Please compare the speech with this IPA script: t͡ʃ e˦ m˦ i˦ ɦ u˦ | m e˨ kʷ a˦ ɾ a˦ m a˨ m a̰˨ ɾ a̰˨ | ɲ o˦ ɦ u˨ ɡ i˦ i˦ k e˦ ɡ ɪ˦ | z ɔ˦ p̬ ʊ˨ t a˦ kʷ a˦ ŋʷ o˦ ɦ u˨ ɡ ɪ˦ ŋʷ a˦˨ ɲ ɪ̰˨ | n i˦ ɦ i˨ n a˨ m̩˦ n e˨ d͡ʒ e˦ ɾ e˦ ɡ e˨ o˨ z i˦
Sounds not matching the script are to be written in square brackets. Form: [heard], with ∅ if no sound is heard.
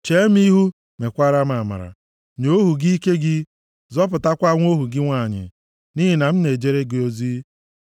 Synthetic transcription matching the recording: t͡ʃ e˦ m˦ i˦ ɦ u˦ | m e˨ kʷ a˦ ɾ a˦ m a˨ m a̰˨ ɾ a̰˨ | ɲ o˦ ɦ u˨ ɡ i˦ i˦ k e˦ ɡ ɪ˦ | z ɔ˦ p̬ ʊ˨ t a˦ kʷ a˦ ŋʷ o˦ ɦ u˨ ɡ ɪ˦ ŋʷ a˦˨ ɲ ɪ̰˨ | n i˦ ɦ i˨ n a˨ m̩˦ n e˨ d͡ʒ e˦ ɾ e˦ ɡ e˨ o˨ z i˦